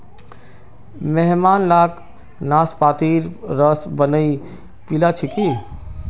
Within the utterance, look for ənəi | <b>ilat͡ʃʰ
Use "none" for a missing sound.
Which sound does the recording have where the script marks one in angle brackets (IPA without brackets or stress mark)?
p